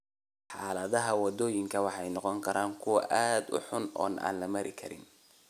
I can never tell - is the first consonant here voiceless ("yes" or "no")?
yes